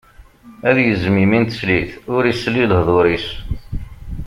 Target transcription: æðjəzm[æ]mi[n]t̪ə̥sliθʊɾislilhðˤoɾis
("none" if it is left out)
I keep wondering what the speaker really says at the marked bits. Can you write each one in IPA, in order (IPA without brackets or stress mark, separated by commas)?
i, n